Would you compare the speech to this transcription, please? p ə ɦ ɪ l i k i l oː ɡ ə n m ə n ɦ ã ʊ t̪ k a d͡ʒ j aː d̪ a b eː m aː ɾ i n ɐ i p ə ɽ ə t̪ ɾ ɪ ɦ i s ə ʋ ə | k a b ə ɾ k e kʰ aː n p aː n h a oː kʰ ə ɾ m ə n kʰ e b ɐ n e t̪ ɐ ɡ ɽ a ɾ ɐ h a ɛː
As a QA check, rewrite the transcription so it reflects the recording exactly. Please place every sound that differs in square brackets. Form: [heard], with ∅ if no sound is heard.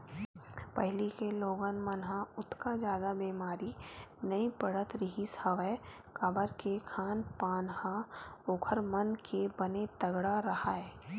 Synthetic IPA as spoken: p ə ɦ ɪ l i k [e] l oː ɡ ə n m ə n ɦ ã ʊ t̪ k a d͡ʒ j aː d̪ a b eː m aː ɾ i n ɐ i p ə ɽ ə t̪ ɾ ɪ ɦ i s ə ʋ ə | k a b ə ɾ k e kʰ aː n p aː n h a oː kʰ ə ɾ m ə n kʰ e b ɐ n e t̪ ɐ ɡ ɽ a ɾ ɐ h a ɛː